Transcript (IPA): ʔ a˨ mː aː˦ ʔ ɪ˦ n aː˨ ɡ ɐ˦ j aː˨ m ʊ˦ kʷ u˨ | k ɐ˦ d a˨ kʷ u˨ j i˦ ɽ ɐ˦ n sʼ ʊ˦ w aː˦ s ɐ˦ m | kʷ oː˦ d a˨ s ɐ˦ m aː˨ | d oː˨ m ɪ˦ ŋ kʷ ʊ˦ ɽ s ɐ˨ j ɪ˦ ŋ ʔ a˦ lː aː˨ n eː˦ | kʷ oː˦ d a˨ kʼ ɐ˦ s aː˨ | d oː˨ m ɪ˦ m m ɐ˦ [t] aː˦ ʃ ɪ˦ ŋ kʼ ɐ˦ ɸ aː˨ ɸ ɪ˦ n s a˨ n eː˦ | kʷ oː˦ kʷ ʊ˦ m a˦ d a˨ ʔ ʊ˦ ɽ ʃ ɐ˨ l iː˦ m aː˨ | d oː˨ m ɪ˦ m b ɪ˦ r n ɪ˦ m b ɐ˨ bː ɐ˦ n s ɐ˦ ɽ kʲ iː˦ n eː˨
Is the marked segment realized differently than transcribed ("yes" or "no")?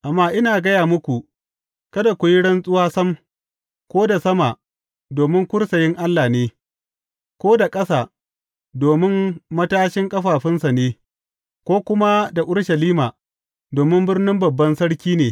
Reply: no